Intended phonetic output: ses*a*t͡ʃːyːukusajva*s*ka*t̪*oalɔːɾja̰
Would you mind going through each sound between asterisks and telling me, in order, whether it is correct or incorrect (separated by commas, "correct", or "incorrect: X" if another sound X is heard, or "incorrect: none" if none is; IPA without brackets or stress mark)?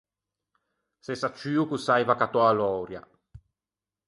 correct, incorrect: none, correct